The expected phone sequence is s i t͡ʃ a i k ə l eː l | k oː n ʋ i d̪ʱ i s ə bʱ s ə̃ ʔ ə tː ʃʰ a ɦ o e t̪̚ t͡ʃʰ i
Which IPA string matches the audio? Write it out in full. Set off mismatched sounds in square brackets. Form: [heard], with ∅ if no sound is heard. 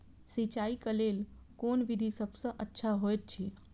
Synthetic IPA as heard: s i t͡ʃ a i k ə l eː l | k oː n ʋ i d̪ʱ i s ə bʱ s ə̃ ʔ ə tː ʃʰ a ɦ o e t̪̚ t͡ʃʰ i